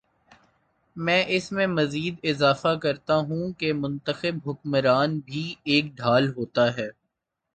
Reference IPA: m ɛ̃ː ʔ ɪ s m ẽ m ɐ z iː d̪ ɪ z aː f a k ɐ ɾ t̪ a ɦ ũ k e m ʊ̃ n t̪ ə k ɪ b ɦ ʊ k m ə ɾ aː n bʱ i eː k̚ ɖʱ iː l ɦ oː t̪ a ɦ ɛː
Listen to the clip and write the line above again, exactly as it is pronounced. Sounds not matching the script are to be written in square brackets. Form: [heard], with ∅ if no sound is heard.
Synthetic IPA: m ɛ̃ː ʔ ɪ s m ẽ m ɐ z iː d̪ ɪ z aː f a k ɐ ɾ t̪ a ɦ ũ k e m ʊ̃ n t̪ ə [x] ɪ b ɦ ʊ k m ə ɾ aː n bʱ i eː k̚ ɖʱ [aː] l ɦ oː t̪ a ɦ ɛː

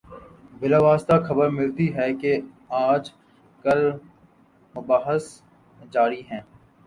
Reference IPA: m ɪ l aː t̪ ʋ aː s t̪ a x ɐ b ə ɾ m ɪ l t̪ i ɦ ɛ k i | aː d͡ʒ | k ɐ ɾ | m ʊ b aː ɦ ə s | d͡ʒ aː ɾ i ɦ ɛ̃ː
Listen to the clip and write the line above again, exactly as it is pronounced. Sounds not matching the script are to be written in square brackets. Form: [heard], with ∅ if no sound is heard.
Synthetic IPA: [b] ɪ l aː [∅] ʋ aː s t̪ a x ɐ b ə ɾ m ɪ l t̪ i ɦ ɛ k [e] | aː d͡ʒ | k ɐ ɾ | m ʊ b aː ɦ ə s | d͡ʒ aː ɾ i ɦ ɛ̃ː

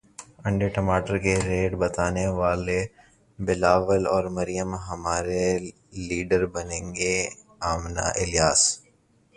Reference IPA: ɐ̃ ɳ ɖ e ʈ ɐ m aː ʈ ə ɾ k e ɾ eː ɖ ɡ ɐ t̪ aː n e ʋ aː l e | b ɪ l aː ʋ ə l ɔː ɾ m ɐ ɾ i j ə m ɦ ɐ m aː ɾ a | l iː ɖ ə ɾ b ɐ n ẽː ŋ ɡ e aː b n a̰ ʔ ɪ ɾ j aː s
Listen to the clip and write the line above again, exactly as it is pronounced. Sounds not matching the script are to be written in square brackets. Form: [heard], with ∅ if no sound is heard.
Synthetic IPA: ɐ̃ ɳ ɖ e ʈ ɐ m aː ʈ ə ɾ k e ɾ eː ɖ [b] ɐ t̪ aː n e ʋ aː l e | b ɪ l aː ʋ ə l ɔː ɾ m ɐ ɾ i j ə m ɦ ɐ m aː ɾ [e] | l iː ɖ ə ɾ b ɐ n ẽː ŋ ɡ e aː [m] n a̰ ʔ ɪ [l] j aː s

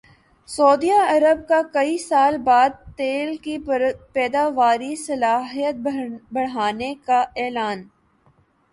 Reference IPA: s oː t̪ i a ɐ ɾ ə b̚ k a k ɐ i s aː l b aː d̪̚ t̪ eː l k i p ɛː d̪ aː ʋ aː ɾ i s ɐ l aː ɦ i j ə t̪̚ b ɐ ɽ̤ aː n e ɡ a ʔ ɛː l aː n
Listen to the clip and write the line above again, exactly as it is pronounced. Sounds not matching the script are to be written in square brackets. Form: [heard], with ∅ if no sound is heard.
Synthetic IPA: s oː [d̪] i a ɐ ɾ ə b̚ k a k ɐ i s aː l b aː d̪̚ t̪ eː l k i p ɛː d̪ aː ʋ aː ɾ i s ɐ l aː ɦ i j ə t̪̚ b ɐ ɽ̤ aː n e [k] a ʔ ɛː l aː n

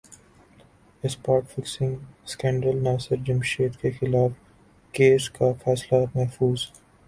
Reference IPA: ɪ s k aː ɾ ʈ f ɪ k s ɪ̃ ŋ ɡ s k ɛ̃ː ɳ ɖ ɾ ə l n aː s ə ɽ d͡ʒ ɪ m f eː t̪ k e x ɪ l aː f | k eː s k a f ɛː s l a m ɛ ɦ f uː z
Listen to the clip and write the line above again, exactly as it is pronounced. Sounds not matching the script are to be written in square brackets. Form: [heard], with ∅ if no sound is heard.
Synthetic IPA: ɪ s [p] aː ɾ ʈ f ɪ k s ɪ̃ ŋ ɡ s k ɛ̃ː ɳ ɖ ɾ ə l n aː s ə [ɾ] d͡ʒ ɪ m [ʃ] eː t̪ k e x ɪ l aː f | k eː s k a f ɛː s l a m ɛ ɦ f uː z

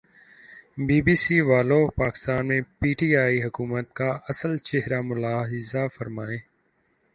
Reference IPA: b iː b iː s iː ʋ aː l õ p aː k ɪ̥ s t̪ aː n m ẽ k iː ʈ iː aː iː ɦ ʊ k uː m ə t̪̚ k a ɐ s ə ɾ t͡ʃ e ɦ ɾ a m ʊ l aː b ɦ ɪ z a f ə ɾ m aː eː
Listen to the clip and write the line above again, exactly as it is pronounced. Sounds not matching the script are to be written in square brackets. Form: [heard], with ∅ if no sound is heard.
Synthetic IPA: b iː b iː s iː ʋ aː l [o] p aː k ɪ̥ s t̪ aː n m ẽ [p] iː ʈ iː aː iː ɦ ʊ k uː m ə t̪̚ k a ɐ s ə [l] t͡ʃ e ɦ ɾ a m ʊ l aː [∅] ɦ ɪ z a f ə ɾ m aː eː

